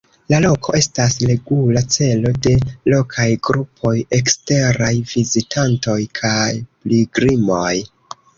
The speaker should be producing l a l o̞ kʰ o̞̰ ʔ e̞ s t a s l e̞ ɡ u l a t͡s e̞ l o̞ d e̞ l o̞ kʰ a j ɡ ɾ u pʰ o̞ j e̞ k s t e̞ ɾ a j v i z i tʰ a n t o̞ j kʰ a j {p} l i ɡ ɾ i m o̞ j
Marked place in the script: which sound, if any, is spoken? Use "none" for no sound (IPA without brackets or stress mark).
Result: p